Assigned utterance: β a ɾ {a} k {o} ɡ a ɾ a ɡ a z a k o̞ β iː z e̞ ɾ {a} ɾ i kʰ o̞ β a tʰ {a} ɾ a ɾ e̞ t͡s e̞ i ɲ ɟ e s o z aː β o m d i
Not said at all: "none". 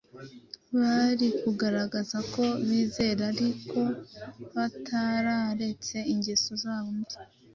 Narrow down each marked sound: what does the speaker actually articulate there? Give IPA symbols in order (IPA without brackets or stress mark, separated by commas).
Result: i, u, a, a